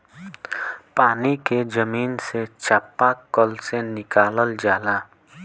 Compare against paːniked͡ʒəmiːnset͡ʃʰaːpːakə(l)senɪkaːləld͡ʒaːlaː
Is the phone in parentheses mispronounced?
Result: no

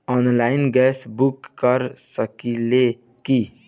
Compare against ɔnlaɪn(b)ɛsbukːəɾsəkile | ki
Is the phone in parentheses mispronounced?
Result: yes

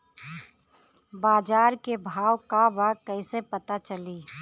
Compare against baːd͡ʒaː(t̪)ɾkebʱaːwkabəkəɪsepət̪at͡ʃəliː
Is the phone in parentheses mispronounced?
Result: yes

